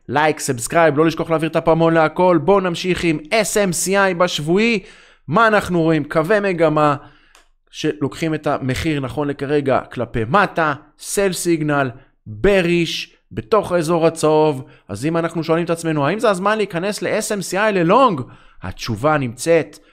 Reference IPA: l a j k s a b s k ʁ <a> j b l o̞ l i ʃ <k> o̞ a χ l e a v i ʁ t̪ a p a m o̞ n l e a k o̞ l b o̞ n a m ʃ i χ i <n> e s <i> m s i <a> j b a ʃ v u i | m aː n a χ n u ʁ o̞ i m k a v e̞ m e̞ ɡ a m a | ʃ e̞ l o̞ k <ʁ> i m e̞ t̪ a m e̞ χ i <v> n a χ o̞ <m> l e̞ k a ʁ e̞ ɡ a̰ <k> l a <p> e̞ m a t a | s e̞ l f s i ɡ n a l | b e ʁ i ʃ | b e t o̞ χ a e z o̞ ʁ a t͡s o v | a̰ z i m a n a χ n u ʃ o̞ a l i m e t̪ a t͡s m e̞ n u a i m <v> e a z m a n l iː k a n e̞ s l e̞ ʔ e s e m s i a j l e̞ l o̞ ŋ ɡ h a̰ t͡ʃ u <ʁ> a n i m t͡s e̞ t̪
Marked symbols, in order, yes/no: yes, yes, no, no, yes, no, no, no, yes, yes, no, no

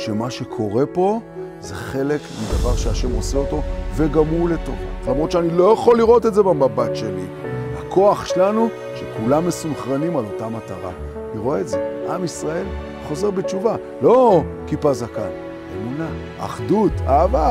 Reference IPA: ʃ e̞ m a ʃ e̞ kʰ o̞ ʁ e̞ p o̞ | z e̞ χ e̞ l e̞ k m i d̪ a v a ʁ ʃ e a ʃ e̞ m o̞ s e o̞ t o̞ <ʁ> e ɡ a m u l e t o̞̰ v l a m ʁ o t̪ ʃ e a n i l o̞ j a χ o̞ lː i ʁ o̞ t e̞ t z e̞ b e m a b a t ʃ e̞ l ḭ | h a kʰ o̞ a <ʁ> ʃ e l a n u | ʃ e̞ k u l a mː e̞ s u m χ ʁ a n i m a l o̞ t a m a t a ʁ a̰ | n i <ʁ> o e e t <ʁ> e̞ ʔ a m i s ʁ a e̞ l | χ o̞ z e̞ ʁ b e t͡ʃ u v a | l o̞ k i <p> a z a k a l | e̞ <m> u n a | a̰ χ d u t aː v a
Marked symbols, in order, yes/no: no, no, yes, no, yes, yes

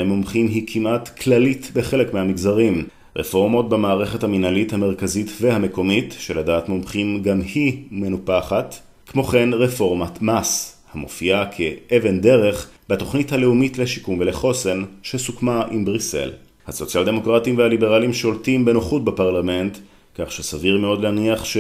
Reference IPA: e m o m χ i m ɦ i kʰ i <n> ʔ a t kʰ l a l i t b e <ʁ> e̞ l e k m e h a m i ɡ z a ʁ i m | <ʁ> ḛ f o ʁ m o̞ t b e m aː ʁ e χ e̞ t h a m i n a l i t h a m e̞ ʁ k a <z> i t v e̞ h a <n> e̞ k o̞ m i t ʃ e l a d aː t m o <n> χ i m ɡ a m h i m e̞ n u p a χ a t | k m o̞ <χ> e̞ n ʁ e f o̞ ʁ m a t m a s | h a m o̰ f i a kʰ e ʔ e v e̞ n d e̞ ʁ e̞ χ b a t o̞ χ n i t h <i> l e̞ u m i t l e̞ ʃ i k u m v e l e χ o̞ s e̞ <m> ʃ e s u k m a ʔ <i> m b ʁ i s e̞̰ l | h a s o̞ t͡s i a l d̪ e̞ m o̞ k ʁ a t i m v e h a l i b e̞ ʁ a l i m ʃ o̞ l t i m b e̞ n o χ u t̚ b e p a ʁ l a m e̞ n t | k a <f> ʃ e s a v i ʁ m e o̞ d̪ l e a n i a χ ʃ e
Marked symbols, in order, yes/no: no, no, yes, yes, no, no, yes, no, no, yes, no

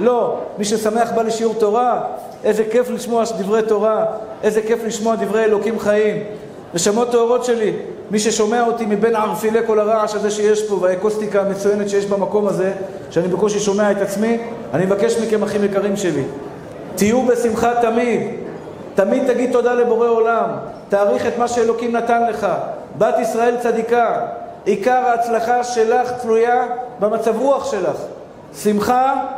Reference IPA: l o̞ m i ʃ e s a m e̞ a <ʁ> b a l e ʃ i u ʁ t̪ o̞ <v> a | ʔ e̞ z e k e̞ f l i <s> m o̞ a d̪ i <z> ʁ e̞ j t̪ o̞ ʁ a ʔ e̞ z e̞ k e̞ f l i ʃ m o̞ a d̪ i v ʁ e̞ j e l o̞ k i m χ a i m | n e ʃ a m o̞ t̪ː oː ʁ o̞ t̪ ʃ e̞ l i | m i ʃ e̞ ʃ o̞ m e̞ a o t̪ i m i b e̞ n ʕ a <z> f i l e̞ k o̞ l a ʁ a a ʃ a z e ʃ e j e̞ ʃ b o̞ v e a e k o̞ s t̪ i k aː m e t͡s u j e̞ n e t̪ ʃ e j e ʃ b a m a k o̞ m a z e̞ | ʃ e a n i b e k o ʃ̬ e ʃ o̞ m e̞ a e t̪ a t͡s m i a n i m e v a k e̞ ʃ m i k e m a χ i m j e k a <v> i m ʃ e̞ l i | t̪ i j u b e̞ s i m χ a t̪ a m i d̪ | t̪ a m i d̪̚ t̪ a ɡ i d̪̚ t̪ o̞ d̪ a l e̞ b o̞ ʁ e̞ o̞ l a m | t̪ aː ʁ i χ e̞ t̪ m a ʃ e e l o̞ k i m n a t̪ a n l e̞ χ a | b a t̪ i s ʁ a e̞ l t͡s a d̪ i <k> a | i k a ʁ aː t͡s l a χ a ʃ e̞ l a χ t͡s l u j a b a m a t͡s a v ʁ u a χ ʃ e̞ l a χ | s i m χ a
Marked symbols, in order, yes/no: no, no, no, no, no, no, yes

